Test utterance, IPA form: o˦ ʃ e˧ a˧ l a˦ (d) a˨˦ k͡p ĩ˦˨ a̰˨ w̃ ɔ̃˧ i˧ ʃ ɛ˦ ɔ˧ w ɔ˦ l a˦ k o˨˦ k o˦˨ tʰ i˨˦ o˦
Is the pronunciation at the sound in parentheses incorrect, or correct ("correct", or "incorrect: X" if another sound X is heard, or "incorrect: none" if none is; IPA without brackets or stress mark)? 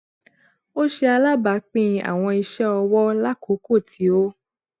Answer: incorrect: b